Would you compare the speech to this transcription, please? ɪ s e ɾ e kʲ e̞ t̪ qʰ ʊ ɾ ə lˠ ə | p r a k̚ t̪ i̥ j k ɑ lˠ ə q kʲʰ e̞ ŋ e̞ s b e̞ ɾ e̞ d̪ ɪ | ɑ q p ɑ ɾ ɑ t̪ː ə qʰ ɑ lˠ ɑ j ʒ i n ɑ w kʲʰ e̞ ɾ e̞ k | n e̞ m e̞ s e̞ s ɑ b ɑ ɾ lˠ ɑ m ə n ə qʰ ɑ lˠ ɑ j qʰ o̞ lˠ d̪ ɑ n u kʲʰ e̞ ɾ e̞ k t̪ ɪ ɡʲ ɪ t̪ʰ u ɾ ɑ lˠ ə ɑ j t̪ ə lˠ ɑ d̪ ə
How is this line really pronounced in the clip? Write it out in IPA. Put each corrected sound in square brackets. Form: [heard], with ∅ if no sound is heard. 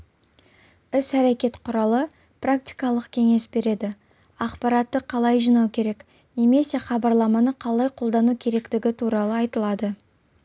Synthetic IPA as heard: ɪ s [æ] ɾ e kʲ e̞ t̪ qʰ ʊ ɾ [ɑ] lˠ ə | p r a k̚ t̪ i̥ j k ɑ lˠ ə q kʲʰ e̞ ŋ e̞ s b e̞ ɾ e̞ d̪ ɪ | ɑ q p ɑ ɾ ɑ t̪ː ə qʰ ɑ lˠ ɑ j ʒ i n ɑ w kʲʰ e̞ ɾ e̞ k | n e̞ m e̞ s e̞ [χ] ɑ b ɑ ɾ lˠ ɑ m [ɑ] n ə qʰ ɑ lˠ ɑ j qʰ o̞ lˠ d̪ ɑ n u kʲʰ e̞ ɾ e̞ k t̪ ɪ ɡʲ ɪ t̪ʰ u ɾ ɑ lˠ ə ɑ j t̪ ə lˠ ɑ d̪ ə